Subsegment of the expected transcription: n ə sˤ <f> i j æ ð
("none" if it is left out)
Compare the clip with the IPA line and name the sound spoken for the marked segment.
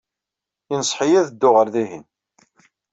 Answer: ħ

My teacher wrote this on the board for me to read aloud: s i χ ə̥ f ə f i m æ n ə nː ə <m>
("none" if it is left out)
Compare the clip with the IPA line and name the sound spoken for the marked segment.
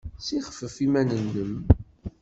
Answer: m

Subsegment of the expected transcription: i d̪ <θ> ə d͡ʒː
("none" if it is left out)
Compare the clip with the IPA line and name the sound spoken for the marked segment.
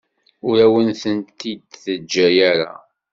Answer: θ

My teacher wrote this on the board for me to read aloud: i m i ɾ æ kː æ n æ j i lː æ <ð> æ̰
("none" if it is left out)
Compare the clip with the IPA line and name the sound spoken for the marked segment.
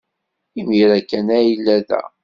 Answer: ð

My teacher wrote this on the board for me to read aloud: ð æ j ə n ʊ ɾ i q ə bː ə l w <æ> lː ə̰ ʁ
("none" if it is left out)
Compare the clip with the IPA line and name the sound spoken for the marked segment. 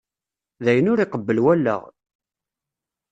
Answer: æ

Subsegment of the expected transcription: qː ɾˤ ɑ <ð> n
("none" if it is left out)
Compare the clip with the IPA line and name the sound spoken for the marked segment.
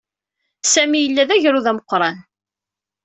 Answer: none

